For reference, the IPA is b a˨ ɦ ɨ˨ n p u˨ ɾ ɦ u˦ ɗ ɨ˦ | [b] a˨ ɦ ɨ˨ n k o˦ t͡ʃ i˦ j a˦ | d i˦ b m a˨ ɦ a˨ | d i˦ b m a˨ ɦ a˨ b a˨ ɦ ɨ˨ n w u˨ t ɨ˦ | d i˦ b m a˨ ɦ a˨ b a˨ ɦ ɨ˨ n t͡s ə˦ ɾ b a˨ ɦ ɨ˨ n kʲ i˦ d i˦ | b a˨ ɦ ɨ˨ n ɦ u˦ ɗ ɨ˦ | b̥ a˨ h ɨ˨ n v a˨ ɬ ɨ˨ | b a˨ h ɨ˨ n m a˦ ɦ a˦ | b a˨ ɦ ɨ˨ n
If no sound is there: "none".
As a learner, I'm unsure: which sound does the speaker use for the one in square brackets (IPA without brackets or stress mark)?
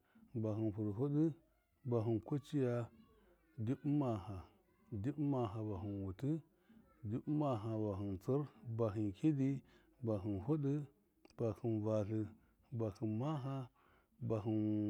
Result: b